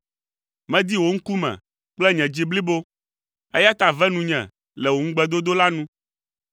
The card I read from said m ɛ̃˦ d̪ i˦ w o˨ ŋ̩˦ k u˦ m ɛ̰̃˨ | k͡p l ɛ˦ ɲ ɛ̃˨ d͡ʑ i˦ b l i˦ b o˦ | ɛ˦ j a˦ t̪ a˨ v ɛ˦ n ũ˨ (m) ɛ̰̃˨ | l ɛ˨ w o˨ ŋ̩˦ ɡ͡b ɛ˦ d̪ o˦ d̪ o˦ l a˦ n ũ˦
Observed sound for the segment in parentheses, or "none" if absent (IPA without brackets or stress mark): ɲ